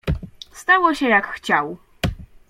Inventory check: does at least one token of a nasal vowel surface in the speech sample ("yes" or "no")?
no